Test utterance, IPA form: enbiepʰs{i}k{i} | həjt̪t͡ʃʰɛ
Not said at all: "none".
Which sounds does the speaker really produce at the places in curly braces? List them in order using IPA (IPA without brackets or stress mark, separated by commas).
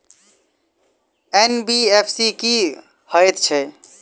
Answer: i, i